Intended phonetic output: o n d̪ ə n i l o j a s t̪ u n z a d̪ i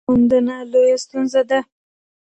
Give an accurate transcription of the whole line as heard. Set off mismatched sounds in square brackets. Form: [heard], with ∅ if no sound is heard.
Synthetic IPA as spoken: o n d̪ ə n [a] l o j a s t̪ u n z a d̪ [a]